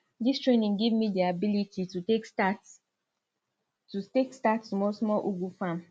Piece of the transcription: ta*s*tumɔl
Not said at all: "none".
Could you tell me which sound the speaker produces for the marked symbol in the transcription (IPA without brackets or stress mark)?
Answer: t